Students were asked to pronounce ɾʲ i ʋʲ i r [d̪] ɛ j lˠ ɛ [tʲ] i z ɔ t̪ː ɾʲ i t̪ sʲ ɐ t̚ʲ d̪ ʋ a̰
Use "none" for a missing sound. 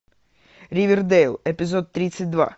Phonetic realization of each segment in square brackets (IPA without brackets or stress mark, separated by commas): d̪, pʲ